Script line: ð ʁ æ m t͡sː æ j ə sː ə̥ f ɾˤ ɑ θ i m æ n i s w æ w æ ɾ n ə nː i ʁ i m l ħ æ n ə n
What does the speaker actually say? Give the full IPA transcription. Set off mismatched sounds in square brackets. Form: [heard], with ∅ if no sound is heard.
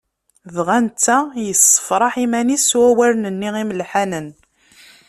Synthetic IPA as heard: ð ʁ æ [n] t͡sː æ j ə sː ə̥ f ɾˤ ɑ [ħ] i m æ n i s w æ w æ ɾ n ə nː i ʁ i m l ħ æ n ə n